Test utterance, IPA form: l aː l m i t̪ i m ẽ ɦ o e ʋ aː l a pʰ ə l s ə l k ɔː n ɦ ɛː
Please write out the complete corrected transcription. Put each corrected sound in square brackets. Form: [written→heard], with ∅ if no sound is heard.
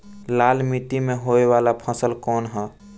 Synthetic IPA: l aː l m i t̪ i m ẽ ɦ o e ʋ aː l a pʰ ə [l→∅] s ə l k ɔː n ɦ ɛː